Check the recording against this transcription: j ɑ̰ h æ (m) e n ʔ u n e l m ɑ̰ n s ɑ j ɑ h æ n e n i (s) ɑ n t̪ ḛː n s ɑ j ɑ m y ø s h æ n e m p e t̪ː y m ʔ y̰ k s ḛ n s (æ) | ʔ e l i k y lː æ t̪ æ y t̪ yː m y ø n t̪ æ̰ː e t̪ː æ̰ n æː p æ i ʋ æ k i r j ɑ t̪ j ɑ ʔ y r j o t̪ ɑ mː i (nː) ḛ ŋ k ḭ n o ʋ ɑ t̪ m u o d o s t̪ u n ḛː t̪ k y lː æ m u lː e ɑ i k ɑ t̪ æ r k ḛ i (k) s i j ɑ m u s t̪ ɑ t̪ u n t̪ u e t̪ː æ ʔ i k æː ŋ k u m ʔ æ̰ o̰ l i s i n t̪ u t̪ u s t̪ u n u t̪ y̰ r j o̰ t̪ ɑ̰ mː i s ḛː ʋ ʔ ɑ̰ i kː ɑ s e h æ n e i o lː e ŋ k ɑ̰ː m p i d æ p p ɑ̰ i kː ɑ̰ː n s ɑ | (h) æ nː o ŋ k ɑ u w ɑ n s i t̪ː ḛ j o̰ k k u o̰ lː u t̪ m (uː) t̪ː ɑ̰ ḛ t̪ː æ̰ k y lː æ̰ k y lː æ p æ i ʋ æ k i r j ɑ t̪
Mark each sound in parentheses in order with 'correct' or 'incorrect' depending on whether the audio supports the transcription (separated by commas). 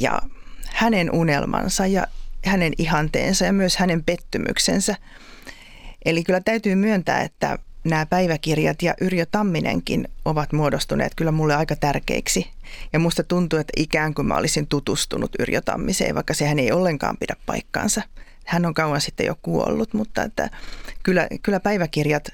incorrect, incorrect, correct, incorrect, correct, correct, incorrect